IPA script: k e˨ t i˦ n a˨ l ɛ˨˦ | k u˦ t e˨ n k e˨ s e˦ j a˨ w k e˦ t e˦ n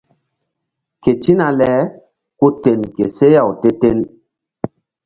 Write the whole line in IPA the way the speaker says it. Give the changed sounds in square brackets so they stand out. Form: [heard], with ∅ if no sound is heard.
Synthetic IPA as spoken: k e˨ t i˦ n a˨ l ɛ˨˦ | k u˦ t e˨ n k e˨ s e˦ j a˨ w [t] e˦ t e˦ n